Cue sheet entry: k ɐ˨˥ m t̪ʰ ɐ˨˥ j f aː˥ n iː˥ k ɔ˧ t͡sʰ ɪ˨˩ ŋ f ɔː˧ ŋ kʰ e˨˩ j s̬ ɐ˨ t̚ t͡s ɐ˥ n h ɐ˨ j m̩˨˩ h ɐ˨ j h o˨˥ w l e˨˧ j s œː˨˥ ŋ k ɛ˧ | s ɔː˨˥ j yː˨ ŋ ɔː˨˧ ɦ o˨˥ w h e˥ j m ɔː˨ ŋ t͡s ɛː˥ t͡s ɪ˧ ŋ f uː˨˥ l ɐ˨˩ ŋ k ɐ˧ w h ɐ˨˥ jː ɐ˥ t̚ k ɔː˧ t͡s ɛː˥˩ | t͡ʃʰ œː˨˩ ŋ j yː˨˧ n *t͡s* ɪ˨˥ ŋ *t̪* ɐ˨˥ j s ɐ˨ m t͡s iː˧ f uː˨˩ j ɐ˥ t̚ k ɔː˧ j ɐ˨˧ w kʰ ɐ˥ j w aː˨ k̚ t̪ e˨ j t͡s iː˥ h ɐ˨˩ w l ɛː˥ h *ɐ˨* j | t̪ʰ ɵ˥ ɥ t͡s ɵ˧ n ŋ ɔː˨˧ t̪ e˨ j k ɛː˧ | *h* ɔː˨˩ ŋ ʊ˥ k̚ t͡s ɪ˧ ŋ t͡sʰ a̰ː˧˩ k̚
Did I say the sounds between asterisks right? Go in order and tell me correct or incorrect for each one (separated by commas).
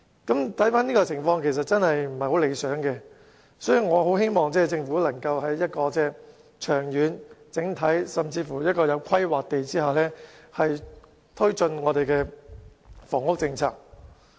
correct, incorrect, correct, incorrect